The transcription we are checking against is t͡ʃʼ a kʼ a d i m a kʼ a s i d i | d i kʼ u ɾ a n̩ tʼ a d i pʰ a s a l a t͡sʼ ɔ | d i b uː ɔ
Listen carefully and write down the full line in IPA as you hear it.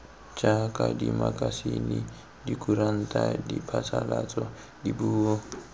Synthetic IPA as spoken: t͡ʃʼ a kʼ a d i m a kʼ a s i n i | d i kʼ u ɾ a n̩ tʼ a d i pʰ a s a l a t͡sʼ ɔ | d i b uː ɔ